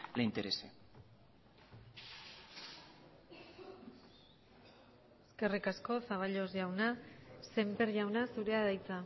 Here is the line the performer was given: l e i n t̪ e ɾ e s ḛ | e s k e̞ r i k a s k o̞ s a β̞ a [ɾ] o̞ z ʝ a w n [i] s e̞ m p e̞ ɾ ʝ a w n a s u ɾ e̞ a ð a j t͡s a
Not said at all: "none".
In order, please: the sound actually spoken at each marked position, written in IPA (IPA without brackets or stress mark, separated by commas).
ʎ, a